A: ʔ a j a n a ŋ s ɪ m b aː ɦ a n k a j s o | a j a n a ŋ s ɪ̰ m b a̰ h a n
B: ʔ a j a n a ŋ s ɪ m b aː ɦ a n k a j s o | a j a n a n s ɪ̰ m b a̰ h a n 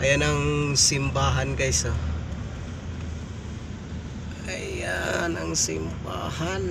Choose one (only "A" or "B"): A